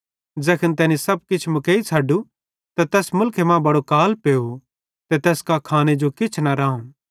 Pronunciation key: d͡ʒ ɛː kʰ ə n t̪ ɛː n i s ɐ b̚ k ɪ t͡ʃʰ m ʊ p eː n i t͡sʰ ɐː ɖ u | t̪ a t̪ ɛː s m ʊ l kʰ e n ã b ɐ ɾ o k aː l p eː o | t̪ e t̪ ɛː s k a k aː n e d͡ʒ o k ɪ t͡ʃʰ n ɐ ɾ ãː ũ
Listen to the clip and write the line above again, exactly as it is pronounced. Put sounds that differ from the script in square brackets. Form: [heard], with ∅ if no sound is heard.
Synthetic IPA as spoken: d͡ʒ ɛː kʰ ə n t̪ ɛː n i s ɐ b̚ k ɪ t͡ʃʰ m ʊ [k] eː [∅] i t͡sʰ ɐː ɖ u | t̪ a t̪ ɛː s m ʊ l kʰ e [m] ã b ɐ [ɽ] o k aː l p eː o | t̪ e t̪ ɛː s k a [kʰ] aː n e d͡ʒ o k ɪ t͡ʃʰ n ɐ ɾ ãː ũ